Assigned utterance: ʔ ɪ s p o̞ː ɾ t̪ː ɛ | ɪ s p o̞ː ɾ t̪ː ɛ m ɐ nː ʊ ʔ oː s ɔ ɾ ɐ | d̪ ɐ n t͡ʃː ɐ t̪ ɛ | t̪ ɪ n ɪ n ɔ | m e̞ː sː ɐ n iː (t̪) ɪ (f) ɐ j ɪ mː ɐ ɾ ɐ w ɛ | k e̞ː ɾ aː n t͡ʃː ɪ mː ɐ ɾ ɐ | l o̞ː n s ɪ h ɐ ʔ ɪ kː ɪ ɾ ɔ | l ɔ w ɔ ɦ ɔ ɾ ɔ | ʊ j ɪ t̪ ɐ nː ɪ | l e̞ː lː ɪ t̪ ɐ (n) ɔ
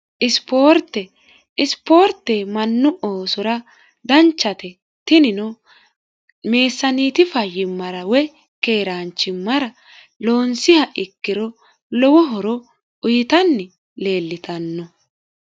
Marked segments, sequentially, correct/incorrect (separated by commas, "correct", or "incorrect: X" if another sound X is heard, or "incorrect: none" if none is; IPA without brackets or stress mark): correct, correct, incorrect: nː